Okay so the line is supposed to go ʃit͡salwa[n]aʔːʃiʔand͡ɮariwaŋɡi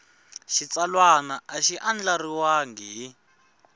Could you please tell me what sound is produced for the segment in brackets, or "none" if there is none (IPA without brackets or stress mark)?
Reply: n